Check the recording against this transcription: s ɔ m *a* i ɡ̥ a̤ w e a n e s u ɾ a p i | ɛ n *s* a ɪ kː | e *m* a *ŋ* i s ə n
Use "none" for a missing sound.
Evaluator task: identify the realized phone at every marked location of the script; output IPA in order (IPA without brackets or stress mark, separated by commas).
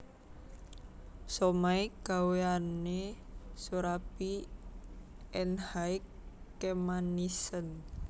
a, h, m, n